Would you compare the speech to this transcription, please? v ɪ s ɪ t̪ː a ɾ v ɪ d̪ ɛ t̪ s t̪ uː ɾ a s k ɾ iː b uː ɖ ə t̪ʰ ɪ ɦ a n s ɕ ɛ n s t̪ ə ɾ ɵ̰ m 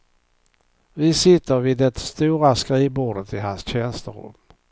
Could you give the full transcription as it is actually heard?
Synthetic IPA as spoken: v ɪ s ɪ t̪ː ə ɾ v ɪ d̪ ɛ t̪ s t̪ uː ɾ a s k ɾ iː b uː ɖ ə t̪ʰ ɪ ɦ a n s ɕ ɛ n s t̪ ə ɾ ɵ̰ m